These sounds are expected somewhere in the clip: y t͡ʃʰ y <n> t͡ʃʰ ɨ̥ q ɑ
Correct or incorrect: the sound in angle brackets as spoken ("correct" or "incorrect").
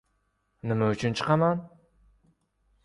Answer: correct